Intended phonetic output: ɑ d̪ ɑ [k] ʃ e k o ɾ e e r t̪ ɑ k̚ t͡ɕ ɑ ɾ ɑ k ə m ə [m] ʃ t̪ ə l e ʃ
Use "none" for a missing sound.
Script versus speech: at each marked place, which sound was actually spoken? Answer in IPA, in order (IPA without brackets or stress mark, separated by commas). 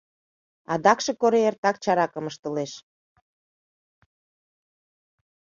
k, none